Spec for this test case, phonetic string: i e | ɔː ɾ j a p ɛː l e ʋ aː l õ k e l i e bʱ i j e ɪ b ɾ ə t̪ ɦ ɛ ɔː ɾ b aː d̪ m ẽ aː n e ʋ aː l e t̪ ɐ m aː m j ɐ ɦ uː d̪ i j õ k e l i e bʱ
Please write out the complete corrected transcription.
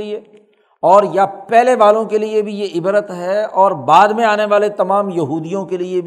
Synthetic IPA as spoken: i e | ɔː ɾ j a p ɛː l e ʋ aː l õ k e l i e bʱ i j e ɪ b ɾ ə t̪ ɦ ɛ ɔː ɾ b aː d̪ m ẽ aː n e ʋ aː l e t̪ ɐ m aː m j ɐ ɦ uː d̪ i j õ k e l i e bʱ